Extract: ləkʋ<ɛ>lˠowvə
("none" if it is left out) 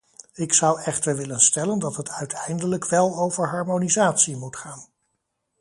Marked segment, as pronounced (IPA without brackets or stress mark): ɛ